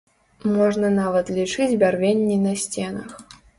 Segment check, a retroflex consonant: present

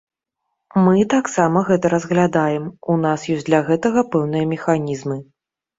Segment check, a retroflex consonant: absent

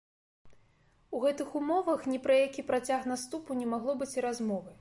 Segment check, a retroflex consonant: absent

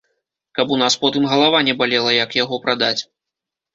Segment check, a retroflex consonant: absent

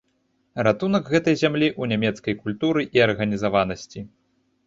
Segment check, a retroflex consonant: absent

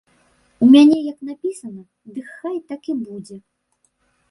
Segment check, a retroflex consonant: absent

